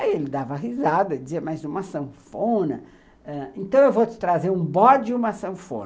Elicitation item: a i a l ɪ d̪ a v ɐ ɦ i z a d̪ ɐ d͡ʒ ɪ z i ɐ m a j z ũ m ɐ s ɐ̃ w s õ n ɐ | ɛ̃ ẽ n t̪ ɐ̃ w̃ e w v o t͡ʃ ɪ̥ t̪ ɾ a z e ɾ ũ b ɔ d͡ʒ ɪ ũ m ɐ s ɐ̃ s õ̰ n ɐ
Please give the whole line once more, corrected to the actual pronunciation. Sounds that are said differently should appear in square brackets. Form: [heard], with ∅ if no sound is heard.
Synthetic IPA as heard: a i [e] l ɪ d̪ a v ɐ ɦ i z a d̪ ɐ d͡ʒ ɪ z i ɐ m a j z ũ m ɐ s ɐ̃ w [f] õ n ɐ | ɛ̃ ẽ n t̪ ɐ̃ w̃ e w v o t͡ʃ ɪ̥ t̪ ɾ a z e ɾ ũ b ɔ d͡ʒ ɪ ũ m ɐ s ɐ̃ [f] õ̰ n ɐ